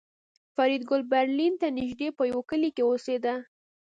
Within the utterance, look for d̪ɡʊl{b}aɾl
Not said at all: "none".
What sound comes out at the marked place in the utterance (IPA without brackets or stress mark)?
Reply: b